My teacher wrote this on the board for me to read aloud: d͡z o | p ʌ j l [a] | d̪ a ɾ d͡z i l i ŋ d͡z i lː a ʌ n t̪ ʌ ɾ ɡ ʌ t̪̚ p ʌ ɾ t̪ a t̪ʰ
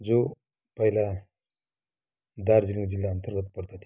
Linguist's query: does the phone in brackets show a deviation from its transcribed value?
no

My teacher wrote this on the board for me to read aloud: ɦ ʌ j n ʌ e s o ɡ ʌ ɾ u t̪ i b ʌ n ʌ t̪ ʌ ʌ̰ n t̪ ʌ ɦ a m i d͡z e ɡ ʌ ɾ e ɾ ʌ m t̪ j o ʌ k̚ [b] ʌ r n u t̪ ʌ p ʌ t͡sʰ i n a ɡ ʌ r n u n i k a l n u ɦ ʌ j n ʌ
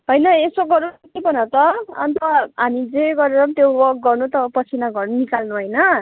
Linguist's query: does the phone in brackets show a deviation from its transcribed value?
yes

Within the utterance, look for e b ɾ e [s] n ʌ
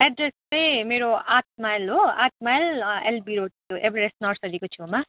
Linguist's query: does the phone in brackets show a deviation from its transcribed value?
no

